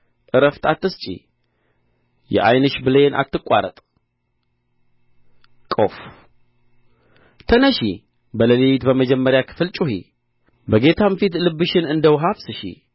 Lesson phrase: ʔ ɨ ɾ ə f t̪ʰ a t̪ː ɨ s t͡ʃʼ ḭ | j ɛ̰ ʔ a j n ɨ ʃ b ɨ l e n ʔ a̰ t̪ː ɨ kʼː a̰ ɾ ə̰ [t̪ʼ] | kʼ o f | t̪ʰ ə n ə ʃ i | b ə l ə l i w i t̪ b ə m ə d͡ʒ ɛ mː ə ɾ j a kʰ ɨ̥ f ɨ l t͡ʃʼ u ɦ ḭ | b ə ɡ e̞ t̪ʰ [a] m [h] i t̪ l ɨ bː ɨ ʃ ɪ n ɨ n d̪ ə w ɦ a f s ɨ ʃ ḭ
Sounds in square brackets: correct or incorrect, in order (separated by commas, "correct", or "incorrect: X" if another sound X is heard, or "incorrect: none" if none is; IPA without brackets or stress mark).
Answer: correct, correct, incorrect: f